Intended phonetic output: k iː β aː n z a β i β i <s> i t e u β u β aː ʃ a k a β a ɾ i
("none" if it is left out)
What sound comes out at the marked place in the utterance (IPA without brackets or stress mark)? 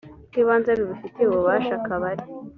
f